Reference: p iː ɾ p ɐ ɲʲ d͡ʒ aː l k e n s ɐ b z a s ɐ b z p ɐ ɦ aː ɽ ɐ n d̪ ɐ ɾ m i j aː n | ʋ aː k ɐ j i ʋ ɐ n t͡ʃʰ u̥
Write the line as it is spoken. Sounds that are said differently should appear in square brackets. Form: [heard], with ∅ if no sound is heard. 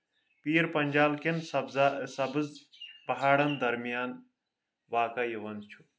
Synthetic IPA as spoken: p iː ɾ p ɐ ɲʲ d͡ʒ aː l k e n s ɐ b z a s ɐ b z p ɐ ɦ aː ɽ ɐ n d̪ ɐ ɾ m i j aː n | ʋ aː k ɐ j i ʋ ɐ n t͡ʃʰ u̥